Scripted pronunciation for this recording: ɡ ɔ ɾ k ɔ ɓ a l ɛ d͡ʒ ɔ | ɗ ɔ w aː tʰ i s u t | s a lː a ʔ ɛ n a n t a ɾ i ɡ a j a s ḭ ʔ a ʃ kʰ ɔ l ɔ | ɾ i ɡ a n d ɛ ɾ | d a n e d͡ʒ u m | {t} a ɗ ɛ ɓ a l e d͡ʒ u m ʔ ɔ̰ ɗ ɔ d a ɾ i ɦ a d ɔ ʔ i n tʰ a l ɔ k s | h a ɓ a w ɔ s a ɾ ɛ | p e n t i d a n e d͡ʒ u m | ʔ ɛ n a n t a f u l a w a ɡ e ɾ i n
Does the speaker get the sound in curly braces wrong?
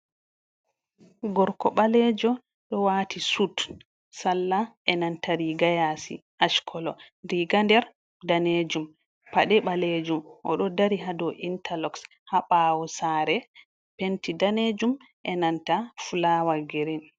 yes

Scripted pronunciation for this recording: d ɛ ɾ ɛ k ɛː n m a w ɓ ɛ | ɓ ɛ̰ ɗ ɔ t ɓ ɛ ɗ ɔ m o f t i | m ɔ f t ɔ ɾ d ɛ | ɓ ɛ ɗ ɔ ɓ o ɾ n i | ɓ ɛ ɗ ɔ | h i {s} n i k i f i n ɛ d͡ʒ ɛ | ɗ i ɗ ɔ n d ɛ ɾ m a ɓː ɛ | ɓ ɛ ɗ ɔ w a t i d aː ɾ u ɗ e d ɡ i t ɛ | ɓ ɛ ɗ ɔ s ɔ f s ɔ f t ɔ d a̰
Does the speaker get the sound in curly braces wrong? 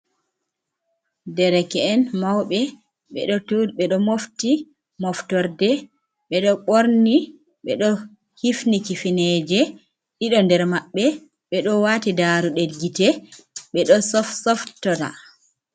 yes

